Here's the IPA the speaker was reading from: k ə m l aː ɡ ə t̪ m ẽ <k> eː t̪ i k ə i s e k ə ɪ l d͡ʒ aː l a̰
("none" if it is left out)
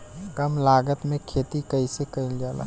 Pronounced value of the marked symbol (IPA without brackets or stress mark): kʰ